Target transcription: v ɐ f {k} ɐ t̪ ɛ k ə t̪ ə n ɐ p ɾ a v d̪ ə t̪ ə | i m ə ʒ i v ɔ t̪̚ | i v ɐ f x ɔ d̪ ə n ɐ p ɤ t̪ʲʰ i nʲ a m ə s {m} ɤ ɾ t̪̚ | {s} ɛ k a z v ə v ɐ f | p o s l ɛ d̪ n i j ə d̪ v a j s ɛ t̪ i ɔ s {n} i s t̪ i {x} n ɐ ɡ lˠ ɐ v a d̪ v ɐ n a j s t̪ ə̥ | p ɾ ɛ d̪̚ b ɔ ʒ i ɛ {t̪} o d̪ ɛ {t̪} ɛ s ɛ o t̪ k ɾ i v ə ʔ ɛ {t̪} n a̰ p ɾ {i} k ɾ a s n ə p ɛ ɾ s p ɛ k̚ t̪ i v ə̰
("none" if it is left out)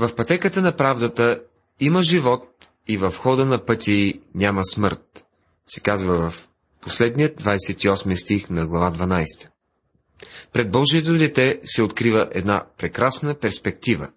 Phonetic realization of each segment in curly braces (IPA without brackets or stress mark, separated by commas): p, m, s, m, x, t̪, t̪, d̪, ɛ